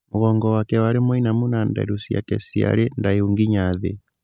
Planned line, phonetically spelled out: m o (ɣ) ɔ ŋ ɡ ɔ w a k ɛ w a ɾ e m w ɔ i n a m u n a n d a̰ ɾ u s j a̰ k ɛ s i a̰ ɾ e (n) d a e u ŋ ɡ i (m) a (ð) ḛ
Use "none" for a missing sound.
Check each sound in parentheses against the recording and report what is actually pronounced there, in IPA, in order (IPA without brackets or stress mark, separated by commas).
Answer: ɣ, n, ɲ, ð